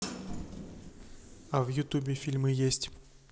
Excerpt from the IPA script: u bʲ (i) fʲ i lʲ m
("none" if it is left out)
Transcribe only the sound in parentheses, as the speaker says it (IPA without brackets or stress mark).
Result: ɪ